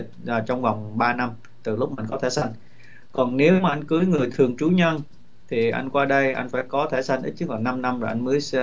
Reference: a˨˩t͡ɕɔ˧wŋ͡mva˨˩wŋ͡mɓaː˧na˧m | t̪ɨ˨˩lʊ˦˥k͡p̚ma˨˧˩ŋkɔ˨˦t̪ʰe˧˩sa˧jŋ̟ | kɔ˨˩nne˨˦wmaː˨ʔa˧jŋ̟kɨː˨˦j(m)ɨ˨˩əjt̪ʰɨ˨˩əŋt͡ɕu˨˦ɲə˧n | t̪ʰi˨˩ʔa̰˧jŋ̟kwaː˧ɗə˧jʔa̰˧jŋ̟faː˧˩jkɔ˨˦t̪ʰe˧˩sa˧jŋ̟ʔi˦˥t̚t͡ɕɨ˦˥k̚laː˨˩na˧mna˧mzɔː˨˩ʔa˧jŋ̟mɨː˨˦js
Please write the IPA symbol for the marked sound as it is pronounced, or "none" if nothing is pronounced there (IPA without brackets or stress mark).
ŋ